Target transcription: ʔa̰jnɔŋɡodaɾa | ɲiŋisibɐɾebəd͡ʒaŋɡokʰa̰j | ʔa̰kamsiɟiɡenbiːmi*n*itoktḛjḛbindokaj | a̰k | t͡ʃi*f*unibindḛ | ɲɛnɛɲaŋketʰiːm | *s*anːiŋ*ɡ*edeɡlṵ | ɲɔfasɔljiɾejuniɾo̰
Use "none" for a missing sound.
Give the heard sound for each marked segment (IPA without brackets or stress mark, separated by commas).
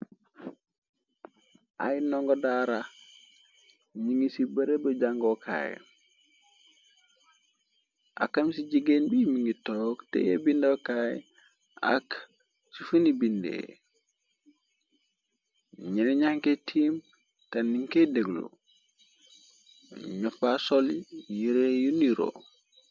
ŋ, f, t, k